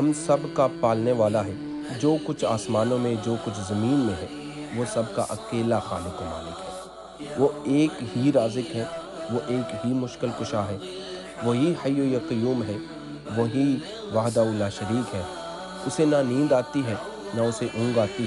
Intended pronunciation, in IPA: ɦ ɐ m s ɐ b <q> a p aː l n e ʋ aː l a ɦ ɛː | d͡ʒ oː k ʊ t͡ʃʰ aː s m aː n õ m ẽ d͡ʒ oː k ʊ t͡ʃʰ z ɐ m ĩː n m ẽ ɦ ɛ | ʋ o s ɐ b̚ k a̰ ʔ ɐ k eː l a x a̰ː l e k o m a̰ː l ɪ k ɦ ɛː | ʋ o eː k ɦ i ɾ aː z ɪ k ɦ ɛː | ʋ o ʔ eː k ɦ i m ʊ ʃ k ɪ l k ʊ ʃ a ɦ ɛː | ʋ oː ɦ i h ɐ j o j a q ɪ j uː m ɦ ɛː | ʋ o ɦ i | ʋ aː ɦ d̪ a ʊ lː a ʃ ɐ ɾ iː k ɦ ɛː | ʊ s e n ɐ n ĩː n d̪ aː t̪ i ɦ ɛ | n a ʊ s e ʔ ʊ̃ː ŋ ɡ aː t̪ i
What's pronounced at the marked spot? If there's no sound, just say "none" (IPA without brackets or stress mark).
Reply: k